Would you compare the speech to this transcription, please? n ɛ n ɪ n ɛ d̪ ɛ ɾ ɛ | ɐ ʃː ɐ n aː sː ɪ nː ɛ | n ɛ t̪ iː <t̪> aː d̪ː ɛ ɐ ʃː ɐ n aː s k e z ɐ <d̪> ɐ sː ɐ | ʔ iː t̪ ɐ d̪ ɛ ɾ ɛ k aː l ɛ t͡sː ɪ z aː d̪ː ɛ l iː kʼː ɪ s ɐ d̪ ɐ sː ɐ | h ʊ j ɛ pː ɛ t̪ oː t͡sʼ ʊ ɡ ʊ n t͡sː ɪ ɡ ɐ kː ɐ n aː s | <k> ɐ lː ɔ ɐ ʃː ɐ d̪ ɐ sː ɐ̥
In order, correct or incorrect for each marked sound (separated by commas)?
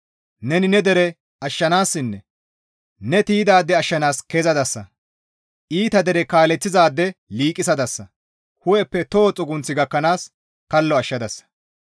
incorrect, correct, correct